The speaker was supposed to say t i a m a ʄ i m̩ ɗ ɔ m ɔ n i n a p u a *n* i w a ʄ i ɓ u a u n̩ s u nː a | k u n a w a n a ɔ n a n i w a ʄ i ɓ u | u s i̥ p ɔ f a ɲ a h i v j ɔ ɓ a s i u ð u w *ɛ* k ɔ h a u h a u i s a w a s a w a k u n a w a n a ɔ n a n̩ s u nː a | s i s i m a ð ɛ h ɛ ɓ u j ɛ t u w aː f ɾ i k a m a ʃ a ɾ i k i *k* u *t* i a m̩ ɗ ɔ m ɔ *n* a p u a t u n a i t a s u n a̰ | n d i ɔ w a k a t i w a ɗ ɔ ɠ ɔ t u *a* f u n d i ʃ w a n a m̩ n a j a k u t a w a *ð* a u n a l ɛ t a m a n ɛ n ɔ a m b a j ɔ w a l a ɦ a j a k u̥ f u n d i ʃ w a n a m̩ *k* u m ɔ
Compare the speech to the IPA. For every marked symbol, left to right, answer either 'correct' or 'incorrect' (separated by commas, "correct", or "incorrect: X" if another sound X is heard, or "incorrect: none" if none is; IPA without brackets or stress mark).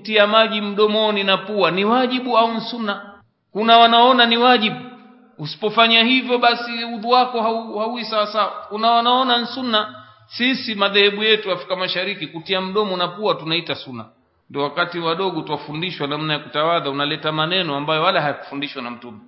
correct, incorrect: a, correct, correct, correct, correct, correct, incorrect: t